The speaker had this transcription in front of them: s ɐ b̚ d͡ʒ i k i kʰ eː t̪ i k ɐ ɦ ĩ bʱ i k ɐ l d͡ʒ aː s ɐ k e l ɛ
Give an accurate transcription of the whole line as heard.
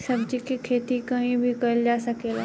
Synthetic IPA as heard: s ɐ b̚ d͡ʒ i k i kʰ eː t̪ i k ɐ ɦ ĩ bʱ i k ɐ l d͡ʒ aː s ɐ k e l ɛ